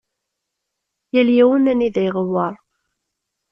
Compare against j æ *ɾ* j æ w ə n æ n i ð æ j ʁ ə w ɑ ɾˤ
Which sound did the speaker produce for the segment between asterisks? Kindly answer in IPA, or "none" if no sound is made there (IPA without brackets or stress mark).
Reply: l